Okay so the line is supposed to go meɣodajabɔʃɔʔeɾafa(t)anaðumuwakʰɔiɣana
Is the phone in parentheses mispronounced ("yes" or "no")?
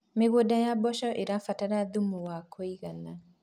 no